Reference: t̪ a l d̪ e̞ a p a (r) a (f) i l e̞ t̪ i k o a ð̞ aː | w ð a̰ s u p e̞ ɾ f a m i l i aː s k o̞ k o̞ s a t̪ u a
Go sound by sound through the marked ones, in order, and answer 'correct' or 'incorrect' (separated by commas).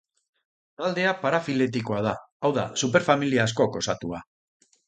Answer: incorrect, correct